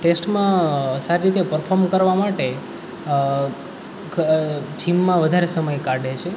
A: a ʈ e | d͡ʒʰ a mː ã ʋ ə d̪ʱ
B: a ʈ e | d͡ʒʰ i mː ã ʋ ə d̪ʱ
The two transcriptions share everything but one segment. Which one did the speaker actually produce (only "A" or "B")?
B